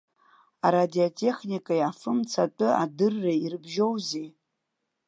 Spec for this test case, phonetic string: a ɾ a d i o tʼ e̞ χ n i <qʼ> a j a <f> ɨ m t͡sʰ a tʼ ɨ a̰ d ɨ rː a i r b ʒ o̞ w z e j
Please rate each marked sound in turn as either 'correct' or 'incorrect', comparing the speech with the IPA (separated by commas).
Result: incorrect, correct